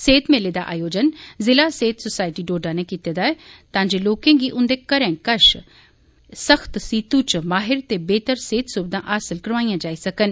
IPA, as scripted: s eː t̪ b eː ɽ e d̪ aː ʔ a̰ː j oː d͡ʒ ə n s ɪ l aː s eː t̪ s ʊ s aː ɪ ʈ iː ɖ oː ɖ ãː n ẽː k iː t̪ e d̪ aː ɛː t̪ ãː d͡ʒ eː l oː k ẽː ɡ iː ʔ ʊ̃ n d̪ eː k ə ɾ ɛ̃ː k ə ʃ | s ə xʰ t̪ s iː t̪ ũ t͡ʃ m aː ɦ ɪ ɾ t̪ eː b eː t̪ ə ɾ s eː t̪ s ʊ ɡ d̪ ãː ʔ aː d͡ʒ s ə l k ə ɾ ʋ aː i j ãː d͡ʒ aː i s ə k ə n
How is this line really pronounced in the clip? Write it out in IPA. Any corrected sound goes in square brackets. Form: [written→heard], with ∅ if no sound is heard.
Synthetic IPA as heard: s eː t̪ [b→m] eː [ɽ→l] e d̪ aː ʔ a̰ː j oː d͡ʒ ə n [s→z] ɪ l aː s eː t̪ s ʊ s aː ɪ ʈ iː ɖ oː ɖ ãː n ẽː k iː t̪ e d̪ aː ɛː t̪ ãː d͡ʒ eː l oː k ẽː ɡ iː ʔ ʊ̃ n d̪ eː k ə ɾ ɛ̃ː k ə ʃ | s ə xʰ t̪ s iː t̪ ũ t͡ʃ m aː ɦ ɪ ɾ t̪ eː b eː t̪ ə ɾ s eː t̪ s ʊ [ɡ→b] d̪ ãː ʔ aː [d͡ʒ→∅] s ə l k ə ɾ ʋ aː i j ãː d͡ʒ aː i s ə k ə n